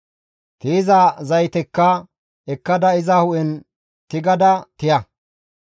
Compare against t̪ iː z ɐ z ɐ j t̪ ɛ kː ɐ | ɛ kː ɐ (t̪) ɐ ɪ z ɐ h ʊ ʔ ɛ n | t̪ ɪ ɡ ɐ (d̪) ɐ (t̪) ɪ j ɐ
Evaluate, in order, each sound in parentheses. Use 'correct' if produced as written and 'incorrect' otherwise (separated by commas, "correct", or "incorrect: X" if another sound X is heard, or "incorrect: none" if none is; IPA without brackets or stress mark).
incorrect: d̪, correct, correct